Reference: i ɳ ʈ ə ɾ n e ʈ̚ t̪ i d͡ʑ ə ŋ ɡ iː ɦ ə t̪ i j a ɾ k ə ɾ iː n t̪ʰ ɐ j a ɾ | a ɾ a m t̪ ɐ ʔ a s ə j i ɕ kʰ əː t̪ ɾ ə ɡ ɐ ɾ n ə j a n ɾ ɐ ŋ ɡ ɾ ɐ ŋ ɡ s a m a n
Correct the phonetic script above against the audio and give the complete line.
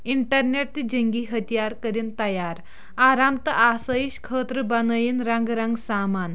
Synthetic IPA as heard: i ɳ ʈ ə ɾ n e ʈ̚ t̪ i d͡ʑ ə ŋ ɡ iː ɦ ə t̪ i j a ɾ k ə ɾ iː n t̪ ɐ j a ɾ | a ɾ a m t̪ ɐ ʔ a s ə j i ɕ kʰ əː t̪ ɾ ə b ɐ n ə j i n ɾ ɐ ŋ ɡ ɾ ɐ ŋ ɡ s a m a n